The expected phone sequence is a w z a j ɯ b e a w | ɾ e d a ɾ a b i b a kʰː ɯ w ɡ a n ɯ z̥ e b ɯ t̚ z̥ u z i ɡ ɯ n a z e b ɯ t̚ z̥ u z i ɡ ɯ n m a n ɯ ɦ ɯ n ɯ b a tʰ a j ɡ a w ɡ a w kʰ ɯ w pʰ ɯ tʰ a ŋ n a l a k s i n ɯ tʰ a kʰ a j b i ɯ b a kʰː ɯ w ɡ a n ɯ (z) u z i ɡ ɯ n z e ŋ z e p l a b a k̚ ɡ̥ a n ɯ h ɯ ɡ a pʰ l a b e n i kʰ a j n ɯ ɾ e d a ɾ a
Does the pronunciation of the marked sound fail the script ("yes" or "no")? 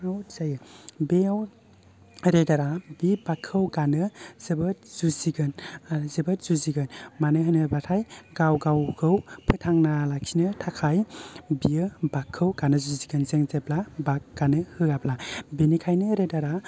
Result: no